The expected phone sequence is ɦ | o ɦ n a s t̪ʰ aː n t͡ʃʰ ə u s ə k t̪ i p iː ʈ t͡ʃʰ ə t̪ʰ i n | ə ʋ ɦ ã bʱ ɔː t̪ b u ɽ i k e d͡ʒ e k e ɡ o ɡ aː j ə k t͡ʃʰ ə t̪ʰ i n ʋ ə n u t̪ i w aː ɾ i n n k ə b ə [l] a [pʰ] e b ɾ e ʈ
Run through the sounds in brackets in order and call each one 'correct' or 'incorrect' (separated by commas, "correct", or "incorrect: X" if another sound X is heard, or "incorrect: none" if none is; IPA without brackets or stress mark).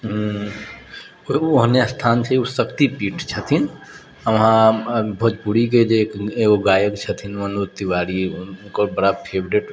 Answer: incorrect: ɽ, correct